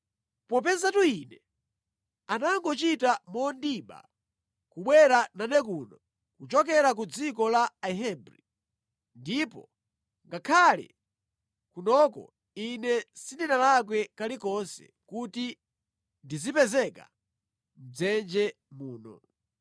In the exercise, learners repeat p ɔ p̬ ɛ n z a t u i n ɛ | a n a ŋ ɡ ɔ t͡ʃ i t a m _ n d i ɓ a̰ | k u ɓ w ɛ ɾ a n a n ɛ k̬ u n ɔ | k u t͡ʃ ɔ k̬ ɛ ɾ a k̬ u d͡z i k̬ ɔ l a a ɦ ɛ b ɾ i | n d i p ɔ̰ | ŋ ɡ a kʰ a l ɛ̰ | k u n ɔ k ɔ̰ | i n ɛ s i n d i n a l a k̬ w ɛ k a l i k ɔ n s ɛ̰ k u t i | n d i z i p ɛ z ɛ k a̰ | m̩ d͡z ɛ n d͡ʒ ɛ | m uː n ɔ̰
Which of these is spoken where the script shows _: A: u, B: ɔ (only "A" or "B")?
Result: B